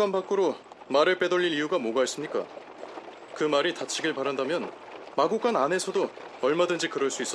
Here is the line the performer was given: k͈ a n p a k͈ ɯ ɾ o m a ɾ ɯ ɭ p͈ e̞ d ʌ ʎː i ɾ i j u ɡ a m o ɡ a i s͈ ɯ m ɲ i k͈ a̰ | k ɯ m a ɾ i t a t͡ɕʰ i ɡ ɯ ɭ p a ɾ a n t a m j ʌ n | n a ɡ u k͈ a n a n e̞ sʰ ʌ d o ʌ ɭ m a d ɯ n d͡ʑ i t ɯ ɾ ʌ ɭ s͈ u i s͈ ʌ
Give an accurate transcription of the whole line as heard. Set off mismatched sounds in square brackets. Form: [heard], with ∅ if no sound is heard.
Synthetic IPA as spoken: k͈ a n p a k͈ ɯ ɾ o m a ɾ ɯ ɭ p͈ e̞ d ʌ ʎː i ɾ i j u ɡ a m o ɡ a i s͈ ɯ m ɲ i k͈ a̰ | k ɯ m a ɾ i t a t͡ɕʰ i ɡ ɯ ɭ p a ɾ a n [d] a m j ʌ n | [m] a ɡ u k͈ a n a n e̞ sʰ ʌ d o ʌ ɭ m a d ɯ n d͡ʑ i [k] ɯ ɾ ʌ ɭ s͈ u i s͈ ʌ